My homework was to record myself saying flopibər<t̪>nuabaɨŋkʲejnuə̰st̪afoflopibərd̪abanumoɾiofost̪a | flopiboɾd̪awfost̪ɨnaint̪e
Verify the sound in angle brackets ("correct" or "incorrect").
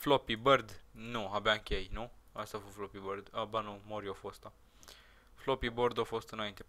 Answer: incorrect